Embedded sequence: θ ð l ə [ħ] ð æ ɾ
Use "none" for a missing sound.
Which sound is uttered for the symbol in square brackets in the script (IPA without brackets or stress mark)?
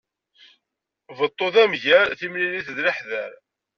ħ